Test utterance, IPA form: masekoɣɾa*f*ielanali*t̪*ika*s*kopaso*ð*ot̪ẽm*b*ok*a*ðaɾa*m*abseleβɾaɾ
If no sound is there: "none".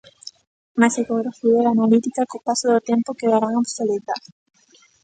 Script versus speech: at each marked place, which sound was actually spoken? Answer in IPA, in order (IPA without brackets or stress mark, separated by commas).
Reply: f, t̪, none, ð, p, e, ŋ